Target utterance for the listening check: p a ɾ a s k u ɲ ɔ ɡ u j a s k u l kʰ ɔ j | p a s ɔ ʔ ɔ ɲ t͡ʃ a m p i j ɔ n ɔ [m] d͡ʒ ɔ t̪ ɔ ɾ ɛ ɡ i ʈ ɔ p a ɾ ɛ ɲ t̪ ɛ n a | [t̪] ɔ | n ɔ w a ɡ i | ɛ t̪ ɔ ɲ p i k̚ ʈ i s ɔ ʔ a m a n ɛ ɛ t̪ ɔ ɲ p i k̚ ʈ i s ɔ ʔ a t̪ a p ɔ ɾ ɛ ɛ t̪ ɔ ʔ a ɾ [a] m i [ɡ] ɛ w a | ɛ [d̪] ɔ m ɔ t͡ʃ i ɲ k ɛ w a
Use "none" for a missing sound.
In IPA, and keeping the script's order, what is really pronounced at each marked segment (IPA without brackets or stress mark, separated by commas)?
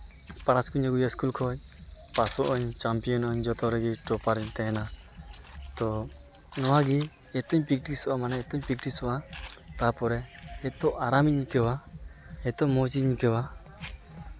ɲ, t̪, a, k, t̪